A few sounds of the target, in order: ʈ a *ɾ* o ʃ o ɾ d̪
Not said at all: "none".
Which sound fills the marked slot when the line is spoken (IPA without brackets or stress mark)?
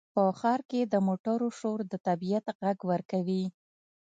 ɾ